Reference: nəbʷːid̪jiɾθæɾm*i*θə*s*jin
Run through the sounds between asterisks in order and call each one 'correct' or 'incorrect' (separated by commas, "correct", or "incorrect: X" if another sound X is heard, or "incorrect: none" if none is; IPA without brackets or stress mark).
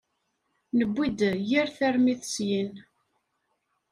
correct, correct